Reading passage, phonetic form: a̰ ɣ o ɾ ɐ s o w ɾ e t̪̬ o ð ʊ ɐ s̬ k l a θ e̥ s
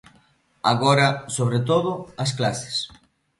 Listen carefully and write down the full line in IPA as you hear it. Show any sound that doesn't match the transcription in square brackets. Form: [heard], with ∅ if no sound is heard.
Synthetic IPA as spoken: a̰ ɣ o ɾ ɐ s o [β] ɾ e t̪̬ o ð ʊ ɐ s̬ k l a [s] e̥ s